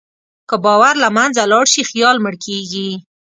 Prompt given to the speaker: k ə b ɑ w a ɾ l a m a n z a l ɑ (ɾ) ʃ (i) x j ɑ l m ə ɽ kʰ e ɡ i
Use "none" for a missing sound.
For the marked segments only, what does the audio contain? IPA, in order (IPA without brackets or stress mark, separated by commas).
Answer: ɽ, i